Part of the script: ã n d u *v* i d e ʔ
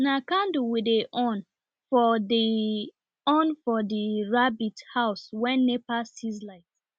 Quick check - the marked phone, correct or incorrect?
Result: incorrect